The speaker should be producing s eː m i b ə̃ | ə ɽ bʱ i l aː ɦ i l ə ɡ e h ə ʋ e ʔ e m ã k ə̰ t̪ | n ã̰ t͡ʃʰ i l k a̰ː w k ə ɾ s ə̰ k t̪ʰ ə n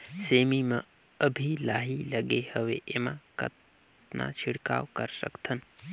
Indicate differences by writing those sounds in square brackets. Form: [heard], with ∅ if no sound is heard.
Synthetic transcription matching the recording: s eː m i [m] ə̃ | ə [∅] bʱ i l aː ɦ i l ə ɡ e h ə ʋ e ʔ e m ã k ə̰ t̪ | n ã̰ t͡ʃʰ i [ɽ] k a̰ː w k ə ɾ s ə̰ k t̪ʰ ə n